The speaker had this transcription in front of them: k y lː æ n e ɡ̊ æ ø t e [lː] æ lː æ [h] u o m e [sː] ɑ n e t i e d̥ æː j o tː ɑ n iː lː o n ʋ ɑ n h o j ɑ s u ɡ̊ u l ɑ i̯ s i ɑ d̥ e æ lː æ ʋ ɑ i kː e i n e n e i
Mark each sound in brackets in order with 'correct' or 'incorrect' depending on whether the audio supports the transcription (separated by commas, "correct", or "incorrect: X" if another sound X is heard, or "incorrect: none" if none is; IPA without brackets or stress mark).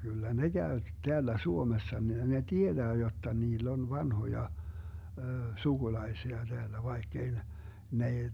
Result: incorrect: none, incorrect: s, correct